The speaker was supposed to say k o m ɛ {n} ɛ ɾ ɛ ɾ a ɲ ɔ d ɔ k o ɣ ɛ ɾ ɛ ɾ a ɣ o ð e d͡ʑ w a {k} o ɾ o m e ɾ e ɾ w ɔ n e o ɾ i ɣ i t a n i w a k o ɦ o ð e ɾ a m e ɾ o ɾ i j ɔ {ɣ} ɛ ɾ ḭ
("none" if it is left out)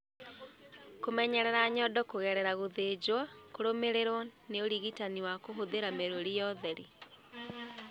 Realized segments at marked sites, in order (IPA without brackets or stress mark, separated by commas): ɲ, k, ð